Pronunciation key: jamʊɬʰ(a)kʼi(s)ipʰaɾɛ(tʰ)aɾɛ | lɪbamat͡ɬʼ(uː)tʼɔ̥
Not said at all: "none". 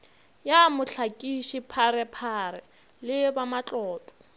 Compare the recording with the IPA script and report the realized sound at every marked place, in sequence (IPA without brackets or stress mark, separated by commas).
a, ʃ, pʰ, ɔː